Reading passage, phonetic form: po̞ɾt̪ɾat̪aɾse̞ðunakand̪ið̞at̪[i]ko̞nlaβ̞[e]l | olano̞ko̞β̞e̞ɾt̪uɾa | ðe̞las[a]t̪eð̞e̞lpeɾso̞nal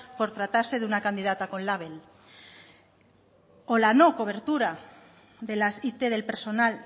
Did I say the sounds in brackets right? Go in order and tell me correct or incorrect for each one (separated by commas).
incorrect, correct, incorrect